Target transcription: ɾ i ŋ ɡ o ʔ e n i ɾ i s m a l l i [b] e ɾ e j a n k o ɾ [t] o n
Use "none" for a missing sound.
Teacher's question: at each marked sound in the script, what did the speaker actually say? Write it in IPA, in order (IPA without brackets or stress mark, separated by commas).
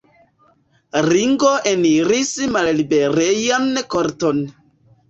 b, t